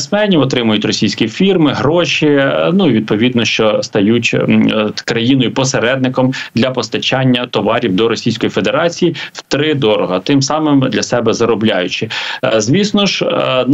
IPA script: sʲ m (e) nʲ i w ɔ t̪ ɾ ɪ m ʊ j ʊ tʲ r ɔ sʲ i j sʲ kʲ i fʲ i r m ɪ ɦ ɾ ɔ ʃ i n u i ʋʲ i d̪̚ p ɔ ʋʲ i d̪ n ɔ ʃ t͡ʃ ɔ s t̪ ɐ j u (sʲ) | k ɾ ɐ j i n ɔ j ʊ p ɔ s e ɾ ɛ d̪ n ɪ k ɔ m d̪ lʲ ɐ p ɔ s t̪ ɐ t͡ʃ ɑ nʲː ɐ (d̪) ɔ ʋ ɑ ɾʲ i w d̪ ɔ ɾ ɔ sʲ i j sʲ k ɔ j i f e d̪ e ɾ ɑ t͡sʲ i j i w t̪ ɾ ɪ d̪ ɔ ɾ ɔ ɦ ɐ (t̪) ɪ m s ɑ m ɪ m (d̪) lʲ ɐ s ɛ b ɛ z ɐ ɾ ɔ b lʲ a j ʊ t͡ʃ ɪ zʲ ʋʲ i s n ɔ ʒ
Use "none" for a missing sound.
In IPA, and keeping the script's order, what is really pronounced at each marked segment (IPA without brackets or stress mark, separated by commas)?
ɛ, tʲ, t̪, t̪, d̪